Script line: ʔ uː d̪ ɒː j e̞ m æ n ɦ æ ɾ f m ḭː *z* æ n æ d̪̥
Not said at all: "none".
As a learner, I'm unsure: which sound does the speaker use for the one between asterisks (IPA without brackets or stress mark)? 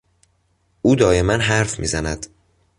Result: z